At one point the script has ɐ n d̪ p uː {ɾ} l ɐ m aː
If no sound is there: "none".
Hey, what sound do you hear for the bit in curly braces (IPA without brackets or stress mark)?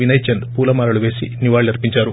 none